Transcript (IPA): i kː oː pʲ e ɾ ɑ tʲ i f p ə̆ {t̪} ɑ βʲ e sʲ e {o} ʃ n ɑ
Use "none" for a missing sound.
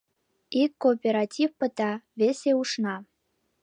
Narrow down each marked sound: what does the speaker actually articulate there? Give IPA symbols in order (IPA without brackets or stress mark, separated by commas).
t̪, u